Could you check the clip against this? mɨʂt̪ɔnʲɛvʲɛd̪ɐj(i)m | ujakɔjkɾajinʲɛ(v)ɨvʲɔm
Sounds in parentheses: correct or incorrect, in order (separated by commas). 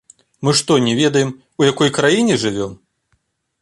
incorrect, incorrect